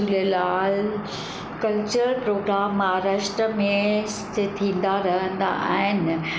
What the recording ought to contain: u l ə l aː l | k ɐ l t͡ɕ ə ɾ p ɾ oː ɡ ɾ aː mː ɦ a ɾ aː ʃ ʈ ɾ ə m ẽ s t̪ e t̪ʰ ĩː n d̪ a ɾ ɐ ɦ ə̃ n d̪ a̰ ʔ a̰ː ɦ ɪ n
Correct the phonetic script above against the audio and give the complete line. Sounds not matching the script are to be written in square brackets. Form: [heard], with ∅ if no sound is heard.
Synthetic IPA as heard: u l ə l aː l | k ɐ l t͡ɕ ə ɾ p ɾ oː ɡ ɾ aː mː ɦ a ɾ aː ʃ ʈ ɾ ə m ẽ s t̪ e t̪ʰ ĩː n d̪ a ɾ ɐ ɦ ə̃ n d̪ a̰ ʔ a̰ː ɦ ɪ n